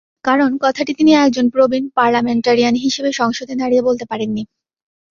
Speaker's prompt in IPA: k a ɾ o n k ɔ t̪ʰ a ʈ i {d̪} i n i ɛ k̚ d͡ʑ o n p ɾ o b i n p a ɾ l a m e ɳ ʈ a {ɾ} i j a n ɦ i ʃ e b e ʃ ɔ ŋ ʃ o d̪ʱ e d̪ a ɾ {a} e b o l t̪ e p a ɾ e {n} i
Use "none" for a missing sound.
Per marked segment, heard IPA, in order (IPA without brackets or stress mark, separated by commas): t̪, ɾ, i, nː